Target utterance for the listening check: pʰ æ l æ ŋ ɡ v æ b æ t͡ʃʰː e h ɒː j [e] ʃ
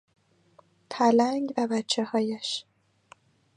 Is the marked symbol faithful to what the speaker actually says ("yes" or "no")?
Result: no